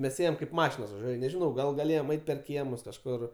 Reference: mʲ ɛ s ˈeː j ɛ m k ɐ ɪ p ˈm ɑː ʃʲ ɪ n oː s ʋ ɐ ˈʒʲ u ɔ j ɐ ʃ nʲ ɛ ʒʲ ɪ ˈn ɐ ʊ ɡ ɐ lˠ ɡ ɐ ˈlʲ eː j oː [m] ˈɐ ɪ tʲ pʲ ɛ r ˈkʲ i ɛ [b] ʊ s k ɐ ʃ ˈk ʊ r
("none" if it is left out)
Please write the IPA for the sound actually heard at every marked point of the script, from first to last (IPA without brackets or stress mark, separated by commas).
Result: m, m